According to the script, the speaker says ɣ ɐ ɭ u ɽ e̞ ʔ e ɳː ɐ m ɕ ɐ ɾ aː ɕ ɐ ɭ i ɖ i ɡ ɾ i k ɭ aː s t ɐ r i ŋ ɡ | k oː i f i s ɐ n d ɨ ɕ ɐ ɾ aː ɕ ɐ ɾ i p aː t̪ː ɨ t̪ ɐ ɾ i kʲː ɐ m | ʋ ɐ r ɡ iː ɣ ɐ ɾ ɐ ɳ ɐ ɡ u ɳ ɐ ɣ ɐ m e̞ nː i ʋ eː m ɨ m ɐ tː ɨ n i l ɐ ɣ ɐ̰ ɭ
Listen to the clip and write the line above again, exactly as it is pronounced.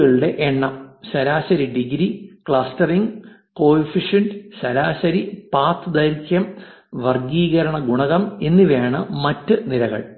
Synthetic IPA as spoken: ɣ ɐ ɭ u ɽ e̞ ʔ e ɳː ɐ m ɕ ɐ ɾ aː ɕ ɐ ɾ i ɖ i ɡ ɾ i k ɭ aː s t ɐ r i ŋ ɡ | k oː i f i ʂ ɐ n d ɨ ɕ ɐ ɾ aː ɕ ɐ ɾ i p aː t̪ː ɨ d̪ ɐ ɾ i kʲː ɐ m | ʋ ɐ r ɡ iː ɣ ɐ ɾ ɐ ɳ ɐ ɡ u ɳ ɐ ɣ ɐ m e̞ nː i ʋ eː ɳ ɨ m ɐ tː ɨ n i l ɐ ɣ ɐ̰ ɭ